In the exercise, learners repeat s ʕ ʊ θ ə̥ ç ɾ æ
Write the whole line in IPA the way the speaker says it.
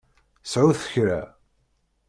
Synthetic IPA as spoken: s ʕ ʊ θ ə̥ ç ɾ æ